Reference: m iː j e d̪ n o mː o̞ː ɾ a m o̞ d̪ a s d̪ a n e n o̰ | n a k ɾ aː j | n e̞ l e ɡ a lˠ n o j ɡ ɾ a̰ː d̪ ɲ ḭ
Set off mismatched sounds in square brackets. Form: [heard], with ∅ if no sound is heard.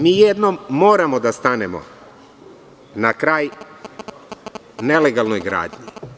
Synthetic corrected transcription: m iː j e d̪ n o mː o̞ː ɾ a m o̞ d̪ a s [t̪] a n e [m] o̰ | n a k ɾ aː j | n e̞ l e ɡ a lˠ n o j ɡ ɾ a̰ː d̪ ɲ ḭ